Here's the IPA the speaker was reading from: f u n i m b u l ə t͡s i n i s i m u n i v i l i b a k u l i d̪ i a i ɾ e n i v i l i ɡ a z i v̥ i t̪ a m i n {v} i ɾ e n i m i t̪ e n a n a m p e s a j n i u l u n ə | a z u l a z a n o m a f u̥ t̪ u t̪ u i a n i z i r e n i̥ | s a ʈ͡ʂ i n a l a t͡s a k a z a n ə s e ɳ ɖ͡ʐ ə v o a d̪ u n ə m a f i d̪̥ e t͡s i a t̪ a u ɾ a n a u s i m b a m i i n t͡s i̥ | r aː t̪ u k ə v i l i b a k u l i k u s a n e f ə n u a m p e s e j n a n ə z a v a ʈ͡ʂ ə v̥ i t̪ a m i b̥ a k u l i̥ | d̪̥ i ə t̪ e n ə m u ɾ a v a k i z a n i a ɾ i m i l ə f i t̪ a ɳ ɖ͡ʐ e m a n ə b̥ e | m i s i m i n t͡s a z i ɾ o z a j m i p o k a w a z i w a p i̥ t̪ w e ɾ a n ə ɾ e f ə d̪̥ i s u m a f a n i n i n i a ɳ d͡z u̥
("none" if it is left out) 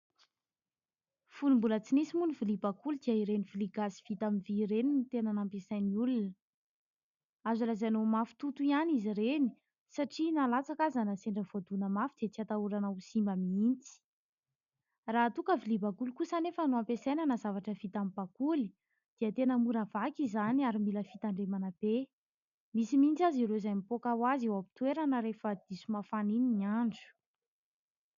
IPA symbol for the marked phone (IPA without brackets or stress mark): v